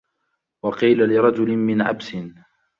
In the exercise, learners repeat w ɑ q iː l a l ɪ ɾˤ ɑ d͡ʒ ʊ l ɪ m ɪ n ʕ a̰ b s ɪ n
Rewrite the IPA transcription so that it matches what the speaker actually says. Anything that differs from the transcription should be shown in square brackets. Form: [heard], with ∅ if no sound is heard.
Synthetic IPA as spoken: w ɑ q iː l a l ɪ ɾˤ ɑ d͡ʒ ʊ l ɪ m ɪ n ʕ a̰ b s ɪ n